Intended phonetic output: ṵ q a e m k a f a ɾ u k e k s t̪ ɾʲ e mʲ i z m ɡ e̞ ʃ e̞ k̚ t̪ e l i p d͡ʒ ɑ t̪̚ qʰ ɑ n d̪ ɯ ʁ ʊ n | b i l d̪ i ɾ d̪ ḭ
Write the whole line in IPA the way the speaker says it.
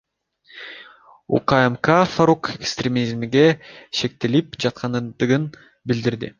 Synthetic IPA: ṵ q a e m k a f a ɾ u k e k s t̪ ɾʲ e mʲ i z m ɡ e̞ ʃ e̞ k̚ t̪ e l i p d͡ʒ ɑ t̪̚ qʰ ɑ n d̪ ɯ ʁ ɯ n | b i l d̪ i ɾ d̪ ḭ